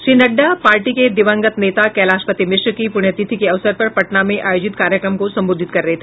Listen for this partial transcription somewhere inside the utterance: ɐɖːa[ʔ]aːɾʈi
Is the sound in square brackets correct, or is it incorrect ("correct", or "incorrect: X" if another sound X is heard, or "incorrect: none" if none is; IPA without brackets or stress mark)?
incorrect: p